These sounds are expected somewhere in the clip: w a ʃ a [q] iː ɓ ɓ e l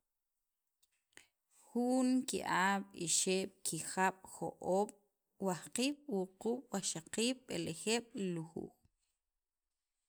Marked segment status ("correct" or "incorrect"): correct